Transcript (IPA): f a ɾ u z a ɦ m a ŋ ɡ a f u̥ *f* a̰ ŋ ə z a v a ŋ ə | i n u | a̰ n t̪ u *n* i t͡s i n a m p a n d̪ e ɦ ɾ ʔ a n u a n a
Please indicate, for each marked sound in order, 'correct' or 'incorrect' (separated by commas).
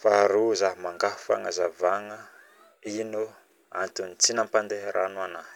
correct, correct